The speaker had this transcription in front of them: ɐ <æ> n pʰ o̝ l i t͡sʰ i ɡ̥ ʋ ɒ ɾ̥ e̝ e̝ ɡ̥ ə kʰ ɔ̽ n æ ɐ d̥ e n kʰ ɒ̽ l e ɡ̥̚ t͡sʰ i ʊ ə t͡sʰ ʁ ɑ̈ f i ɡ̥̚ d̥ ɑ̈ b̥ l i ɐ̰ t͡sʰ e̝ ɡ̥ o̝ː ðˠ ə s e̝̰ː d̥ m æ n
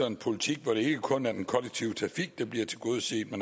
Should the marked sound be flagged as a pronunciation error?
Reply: yes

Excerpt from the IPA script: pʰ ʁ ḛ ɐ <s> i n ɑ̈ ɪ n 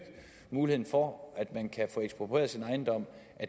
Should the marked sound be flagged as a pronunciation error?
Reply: no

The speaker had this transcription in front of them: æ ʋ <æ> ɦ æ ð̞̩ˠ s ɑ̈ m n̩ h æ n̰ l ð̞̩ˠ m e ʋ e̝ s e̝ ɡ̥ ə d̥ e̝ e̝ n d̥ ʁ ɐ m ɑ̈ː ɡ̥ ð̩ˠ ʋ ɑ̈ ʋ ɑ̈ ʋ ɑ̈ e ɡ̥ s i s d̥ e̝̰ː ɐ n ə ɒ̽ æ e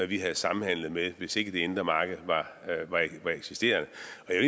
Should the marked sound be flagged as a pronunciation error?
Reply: yes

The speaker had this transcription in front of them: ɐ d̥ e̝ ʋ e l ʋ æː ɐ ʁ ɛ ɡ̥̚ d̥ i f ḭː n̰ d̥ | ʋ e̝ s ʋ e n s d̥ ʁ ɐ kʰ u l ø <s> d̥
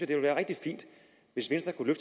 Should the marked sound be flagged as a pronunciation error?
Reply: yes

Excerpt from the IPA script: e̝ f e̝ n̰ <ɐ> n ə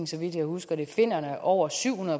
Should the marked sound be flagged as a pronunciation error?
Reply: no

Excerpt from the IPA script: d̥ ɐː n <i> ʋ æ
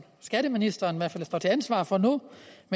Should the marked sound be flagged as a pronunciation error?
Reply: no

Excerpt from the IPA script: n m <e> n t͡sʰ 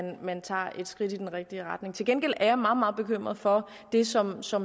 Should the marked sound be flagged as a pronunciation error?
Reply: yes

